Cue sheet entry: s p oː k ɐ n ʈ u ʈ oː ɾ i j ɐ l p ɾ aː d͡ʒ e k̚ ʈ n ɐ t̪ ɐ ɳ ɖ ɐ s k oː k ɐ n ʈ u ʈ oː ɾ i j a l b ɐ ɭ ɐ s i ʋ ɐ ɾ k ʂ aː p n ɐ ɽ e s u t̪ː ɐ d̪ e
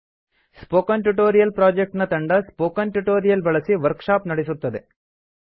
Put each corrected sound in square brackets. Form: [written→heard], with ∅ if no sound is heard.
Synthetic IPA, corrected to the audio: s p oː k ɐ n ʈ u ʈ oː ɾ i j ɐ l p ɾ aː d͡ʒ e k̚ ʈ n ɐ t̪ ɐ ɳ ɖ ɐ s [k→p] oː k ɐ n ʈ u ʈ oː ɾ i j [a→ɐ] l b ɐ ɭ ɐ s i ʋ ɐ ɾ k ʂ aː p n ɐ ɽ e s u t̪ː ɐ d̪ e